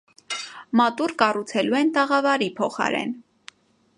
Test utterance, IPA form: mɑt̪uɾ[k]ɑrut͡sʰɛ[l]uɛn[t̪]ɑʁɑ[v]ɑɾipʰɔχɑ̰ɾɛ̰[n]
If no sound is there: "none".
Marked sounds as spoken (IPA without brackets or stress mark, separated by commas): k, l, t̪, v, n